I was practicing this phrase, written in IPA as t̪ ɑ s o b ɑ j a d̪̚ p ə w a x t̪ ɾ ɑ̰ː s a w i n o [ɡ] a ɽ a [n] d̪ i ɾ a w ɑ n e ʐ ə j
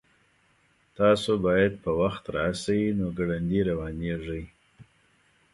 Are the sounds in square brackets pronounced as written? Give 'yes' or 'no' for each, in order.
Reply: yes, yes

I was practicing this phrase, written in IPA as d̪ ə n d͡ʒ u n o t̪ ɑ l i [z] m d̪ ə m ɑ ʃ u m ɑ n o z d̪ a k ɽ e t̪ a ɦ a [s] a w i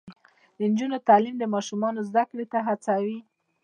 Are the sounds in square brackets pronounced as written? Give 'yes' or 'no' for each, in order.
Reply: no, no

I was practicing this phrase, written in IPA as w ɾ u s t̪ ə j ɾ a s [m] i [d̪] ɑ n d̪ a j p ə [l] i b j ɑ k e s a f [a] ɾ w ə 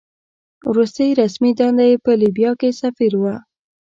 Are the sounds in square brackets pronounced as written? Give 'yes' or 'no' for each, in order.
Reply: yes, yes, yes, no

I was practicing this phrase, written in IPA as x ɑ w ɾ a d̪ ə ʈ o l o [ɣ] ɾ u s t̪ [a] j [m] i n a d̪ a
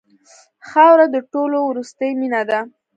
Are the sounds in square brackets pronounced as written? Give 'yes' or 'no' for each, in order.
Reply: no, no, yes

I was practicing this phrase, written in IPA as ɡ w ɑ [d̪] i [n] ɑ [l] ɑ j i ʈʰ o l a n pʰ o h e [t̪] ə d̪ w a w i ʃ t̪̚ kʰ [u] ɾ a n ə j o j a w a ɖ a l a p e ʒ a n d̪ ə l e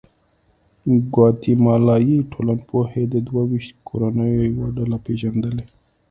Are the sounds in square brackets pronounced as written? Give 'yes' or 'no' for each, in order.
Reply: no, no, yes, no, no

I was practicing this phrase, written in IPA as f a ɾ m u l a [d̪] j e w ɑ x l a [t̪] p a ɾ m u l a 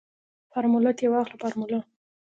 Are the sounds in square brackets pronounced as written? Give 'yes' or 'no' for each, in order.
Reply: no, no

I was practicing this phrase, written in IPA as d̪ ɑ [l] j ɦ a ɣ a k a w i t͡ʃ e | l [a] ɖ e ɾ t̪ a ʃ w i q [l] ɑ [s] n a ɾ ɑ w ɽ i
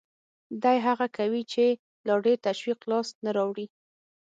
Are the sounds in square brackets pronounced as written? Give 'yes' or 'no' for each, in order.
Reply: no, no, yes, yes

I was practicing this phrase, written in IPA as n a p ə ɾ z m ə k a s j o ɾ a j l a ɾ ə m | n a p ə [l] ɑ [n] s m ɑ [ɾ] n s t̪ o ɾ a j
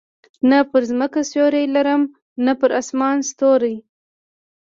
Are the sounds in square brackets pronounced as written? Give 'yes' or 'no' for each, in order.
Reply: no, no, no

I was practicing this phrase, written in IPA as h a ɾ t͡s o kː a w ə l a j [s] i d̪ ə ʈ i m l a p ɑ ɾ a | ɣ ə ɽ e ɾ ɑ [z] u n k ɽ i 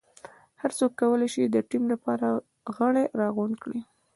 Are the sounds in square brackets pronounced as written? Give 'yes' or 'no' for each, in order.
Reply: no, no

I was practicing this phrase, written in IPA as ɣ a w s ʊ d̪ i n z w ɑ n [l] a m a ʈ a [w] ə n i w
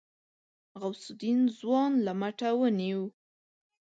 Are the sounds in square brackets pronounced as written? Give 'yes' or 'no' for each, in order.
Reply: yes, yes

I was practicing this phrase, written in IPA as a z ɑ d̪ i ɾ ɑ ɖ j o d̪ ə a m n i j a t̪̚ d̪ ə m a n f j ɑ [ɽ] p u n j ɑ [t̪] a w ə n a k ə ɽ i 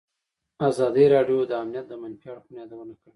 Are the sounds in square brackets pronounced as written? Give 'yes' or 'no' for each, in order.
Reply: yes, no

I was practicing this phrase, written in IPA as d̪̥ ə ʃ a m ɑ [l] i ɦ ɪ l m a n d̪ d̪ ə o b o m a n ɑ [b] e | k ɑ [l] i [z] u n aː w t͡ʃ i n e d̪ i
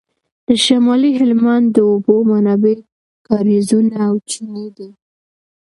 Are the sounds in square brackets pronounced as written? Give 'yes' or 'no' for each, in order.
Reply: yes, yes, no, yes

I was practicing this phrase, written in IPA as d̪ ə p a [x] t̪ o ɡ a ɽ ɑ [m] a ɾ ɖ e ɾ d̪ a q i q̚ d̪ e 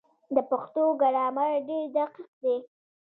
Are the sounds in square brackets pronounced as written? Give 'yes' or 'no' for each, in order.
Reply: yes, yes

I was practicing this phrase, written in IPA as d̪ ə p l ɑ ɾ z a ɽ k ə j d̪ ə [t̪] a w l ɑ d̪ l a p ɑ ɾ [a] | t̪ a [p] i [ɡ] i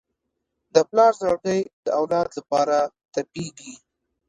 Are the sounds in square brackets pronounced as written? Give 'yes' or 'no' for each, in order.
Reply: no, yes, yes, yes

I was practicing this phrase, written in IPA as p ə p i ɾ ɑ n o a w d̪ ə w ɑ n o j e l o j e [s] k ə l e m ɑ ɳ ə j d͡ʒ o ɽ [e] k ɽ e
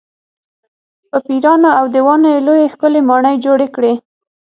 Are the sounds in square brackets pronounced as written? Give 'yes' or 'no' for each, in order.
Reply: no, yes

